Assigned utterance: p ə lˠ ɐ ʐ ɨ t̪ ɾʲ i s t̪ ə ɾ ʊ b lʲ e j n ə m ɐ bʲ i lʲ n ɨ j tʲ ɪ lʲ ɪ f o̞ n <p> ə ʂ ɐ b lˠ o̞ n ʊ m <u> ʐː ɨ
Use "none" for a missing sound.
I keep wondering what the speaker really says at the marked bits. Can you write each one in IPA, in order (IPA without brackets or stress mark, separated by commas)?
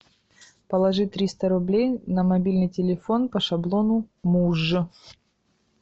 p, u